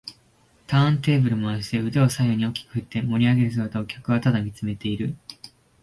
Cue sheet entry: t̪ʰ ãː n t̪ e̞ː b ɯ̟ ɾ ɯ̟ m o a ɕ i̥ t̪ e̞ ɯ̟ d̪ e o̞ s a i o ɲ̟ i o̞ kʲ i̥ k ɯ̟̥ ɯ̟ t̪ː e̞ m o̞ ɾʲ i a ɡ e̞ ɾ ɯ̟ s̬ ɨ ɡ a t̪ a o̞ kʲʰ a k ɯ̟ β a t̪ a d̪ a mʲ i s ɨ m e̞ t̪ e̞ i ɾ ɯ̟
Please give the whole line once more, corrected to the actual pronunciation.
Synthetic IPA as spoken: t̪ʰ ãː n t̪ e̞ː b ɯ̟ ɾ ɯ̟ m o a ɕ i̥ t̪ e̞ ɯ̟ d̪ e o̞ s a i o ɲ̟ i o̞ kʲ i̥ k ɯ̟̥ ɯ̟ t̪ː e̞ m o̞ ɾʲ i a ɡ e̞ ɾ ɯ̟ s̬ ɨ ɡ a t̪ a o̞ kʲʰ a k ɯ̟ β a t̪ a d̪ a mʲ i t͡s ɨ m e̞ t̪ e̞ i ɾ ɯ̟

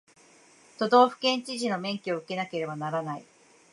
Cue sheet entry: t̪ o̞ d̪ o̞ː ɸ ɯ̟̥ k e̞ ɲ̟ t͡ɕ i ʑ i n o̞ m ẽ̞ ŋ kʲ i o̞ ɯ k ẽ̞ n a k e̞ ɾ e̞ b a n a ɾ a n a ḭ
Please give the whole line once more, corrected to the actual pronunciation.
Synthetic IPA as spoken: t̪ o̞ d̪ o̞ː ɸ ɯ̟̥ k ẽ̞ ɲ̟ t͡ɕ i ʑ i n o̞ m ẽ̞ ŋ kʲ i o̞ ɯ k e̞ n a k e̞ ɾ e̞ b a n a ɾ a n a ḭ

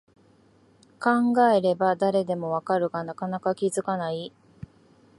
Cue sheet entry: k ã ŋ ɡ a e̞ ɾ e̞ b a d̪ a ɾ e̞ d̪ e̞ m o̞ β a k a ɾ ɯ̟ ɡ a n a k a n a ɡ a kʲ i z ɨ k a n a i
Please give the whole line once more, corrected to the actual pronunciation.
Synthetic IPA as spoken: k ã ŋ ɡ a e̞ ɾ e̞ b a d̪ a ɾ e̞ d̪ e̞ m o̞ β a k a ɾ ɯ̟ ɡ a n a k a n a k a kʲ i z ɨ k a n a i

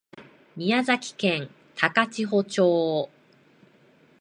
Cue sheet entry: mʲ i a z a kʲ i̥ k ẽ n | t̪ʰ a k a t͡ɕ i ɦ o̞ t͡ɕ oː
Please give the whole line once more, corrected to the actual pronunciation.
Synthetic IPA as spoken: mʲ i a z a kʲ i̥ k ẽ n | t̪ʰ a k a t͡ɕ i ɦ o̞ t͡ɕ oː

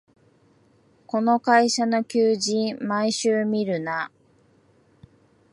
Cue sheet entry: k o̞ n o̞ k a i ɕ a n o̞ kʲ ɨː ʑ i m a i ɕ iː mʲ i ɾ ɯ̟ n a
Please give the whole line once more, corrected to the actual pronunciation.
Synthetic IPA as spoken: k o̞ n o̞ k a i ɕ a n o̞ kʲ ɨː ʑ ĩ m a i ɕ ɨː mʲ i ɾ ɯ̟ n a

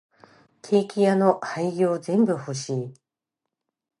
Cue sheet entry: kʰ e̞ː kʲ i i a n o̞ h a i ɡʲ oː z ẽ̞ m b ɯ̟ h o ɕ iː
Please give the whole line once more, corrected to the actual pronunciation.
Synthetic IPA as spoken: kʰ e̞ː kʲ i j a n o̞ h a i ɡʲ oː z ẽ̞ m b ɯ̟ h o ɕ iː

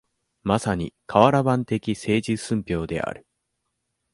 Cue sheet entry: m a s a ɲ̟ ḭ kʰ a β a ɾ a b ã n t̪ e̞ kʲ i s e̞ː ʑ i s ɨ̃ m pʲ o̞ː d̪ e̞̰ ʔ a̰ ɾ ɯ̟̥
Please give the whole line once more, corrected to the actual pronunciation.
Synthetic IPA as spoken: m a s a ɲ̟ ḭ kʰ a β a ɾ a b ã n t̪ e̞ kʲ i s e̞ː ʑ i s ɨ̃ m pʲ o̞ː d̪ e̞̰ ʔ a̰ ɾ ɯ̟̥

